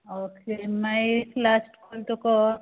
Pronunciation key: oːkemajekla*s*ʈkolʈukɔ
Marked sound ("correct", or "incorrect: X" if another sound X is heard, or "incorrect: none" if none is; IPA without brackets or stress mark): correct